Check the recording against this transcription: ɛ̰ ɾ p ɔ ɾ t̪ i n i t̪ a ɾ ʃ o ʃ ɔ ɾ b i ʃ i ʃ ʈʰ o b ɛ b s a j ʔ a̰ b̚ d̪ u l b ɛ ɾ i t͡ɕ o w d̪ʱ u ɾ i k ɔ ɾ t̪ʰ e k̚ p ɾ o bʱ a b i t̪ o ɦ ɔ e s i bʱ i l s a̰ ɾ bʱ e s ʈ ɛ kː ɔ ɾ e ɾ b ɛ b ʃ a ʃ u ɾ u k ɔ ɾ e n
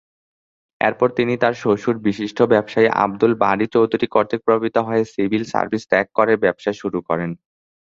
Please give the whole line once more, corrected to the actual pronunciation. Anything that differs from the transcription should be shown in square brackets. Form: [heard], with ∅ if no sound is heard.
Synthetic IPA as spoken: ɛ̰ ɾ p ɔ ɾ t̪ i n i t̪ a ɾ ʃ o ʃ [u] ɾ b i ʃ i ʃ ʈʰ o b ɛ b [ʃ] a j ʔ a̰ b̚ d̪ u l b [a] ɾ i t͡ɕ o w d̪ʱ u ɾ i k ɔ ɾ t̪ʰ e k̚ p ɾ o bʱ a b i t̪ o ɦ ɔ e s i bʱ i l s a̰ ɾ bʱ [i] s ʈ ɛ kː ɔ ɾ e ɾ b ɛ b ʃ a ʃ u ɾ u k ɔ ɾ e n

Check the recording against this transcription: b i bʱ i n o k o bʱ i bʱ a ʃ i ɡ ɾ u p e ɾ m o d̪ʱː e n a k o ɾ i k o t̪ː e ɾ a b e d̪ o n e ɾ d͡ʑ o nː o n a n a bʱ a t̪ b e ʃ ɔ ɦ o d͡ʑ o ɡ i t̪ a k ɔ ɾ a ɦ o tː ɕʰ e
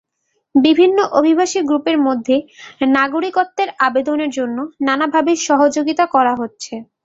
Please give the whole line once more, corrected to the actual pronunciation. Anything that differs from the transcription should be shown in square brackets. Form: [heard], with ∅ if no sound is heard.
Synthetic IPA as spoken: b i bʱ i [nː] o [ʔ] o bʱ i bʱ a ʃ i ɡ ɾ u p e ɾ m o d̪ʱː e n a [ɡ] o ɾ i k o t̪ː e ɾ a b e d̪ o n e ɾ d͡ʑ o nː o n a n a bʱ a [∅] b e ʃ ɔ ɦ o d͡ʑ o ɡ i t̪ a k ɔ ɾ a ɦ o tː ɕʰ e

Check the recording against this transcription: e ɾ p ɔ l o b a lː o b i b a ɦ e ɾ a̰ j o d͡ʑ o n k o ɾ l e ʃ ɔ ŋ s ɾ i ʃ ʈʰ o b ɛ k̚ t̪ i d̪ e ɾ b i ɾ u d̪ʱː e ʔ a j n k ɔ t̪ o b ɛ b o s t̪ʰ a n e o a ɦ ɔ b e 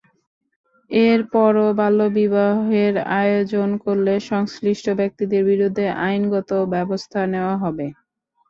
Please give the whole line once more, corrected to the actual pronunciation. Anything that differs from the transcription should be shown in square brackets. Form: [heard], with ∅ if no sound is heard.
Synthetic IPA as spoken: e ɾ p ɔ [ɾ] o b a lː o b i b a ɦ e ɾ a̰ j o d͡ʑ o n k o ɾ l e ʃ ɔ ŋ s ɾ i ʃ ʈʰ o b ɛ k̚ t̪ i d̪ e ɾ b i ɾ u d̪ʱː e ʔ a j n [ɡ] ɔ t̪ o b ɛ b o s t̪ʰ a n e o a ɦ ɔ b e

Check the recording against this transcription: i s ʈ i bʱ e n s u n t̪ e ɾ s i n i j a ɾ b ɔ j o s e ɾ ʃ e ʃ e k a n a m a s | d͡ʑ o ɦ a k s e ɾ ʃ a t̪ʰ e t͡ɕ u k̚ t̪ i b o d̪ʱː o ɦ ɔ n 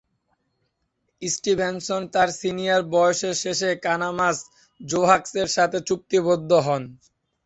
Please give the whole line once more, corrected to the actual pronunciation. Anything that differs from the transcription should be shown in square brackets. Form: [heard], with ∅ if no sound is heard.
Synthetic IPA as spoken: i s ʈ i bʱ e n s [o] n t̪ [a] ɾ s i n i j a ɾ b ɔ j o [ʃ] e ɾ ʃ e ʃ e k a n a m a s | d͡ʑ o ɦ a k s e ɾ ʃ a t̪ʰ e t͡ɕ u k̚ t̪ i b o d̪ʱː o ɦ ɔ n

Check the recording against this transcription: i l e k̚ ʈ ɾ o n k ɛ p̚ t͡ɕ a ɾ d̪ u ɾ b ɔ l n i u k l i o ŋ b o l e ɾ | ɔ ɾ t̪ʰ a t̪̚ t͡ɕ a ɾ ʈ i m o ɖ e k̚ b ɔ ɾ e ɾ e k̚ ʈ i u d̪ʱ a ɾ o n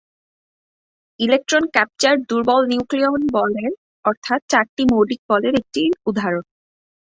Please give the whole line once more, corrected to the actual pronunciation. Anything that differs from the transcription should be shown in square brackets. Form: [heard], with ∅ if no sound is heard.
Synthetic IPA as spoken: i l e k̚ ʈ ɾ o n k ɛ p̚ t͡ɕ a ɾ d̪ u ɾ b ɔ l n i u k l i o [n] b [ɔ] l e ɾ | ɔ ɾ t̪ʰ a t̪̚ t͡ɕ a ɾ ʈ i m o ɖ [i] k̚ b ɔ [l] e ɾ e k̚ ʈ i u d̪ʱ a ɾ o n

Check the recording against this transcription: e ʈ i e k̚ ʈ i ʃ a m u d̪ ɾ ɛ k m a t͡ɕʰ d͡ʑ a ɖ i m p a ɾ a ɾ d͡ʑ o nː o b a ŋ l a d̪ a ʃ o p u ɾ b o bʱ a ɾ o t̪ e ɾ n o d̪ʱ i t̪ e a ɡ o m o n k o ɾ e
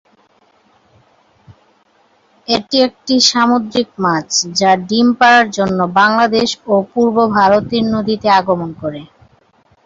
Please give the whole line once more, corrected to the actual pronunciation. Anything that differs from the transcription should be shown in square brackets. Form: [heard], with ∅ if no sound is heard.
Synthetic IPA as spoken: e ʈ i e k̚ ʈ i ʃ a m [o] d̪ ɾ [i] k m a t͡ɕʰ d͡ʑ a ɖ i m p a ɾ a ɾ d͡ʑ o nː o b a ŋ l a d̪ [e] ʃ o p u ɾ b o bʱ a ɾ o t̪ [i] ɾ n o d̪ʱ i t̪ e a ɡ o m o n k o ɾ e

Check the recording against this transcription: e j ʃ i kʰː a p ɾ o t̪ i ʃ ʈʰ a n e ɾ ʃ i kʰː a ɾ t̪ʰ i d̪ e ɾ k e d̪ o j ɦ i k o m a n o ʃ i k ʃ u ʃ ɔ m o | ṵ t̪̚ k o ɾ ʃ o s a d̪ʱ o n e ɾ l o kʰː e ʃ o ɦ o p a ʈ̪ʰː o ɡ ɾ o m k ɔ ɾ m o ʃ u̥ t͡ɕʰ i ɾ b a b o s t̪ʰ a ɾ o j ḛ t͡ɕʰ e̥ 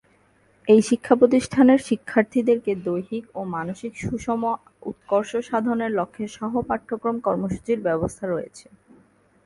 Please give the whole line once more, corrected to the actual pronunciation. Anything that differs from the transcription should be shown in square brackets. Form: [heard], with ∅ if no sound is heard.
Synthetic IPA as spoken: e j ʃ i kʰː a p ɾ o t̪ i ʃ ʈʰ a n e ɾ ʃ i kʰː a ɾ t̪ʰ i d̪ e ɾ k e d̪ o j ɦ i k o m a n o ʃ i k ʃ u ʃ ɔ m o | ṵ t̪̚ k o ɾ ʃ o [ʃ] a d̪ʱ o n e ɾ l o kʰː e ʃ [ɔ] ɦ o p a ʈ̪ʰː o [k] ɾ o m k ɔ ɾ m o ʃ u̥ [t͡ɕ] i ɾ b [ɛ] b o s t̪ʰ a ɾ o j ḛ t͡ɕʰ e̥

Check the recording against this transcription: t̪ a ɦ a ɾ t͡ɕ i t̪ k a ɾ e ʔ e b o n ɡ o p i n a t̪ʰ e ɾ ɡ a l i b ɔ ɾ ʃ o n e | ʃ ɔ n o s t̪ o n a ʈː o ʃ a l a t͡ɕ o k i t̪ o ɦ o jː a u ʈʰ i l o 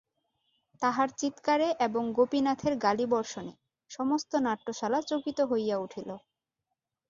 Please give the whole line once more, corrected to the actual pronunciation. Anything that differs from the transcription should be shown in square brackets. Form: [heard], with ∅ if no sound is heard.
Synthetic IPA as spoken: t̪ a ɦ a ɾ t͡ɕ i t̪ k a ɾ e ʔ e b o [ŋ] ɡ o p i n a t̪ʰ e ɾ ɡ a l i b ɔ ɾ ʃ o n e | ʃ ɔ [m] o s t̪ o n a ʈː o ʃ a l a t͡ɕ o k i t̪ o ɦ o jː a u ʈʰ i l o

